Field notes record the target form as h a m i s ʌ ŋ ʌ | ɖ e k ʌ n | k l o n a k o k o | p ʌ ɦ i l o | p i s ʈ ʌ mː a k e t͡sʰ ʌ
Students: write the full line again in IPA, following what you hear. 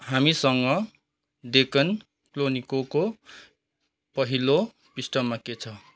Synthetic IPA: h a m i s ʌ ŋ ʌ | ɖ e k ʌ n | k l o n i k o k o | p ʌ ɦ i l o | p i s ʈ ʌ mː a k e t͡sʰ ʌ